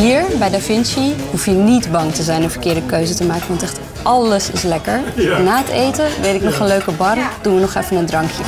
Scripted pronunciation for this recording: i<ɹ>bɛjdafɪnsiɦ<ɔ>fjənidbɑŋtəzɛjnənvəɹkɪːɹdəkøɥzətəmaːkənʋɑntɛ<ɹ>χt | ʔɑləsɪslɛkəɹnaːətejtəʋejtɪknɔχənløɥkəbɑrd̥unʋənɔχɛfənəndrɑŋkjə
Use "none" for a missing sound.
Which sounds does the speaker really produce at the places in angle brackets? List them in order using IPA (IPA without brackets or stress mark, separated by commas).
ɹ, u, none